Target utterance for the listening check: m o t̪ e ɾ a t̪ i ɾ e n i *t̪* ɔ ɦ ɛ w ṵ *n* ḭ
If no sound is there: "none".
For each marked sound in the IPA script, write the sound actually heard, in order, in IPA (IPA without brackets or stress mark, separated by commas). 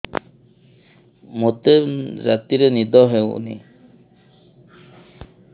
d̪, n